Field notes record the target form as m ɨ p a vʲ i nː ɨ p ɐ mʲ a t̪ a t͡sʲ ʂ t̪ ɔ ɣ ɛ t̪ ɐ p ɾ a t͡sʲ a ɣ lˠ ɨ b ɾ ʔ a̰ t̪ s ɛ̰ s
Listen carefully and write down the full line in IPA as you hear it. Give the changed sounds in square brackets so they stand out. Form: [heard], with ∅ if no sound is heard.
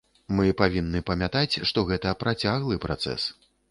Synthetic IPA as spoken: m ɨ p a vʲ i nː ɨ p ɐ mʲ a t̪ a t͡sʲ ʂ t̪ ɔ ɣ ɛ t̪ ɐ p ɾ a t͡sʲ a ɣ lˠ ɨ [p] ɾ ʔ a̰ t̪ s ɛ̰ s